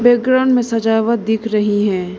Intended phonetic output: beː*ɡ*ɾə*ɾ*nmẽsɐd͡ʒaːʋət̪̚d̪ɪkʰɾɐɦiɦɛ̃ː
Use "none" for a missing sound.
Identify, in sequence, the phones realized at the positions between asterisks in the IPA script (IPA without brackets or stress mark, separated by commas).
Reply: ɡ, none